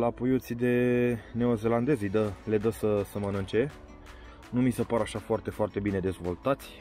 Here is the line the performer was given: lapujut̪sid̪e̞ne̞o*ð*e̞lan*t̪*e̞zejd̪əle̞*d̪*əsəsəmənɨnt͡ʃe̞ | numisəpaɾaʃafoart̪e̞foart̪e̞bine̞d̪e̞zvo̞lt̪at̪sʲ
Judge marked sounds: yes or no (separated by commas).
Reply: no, no, yes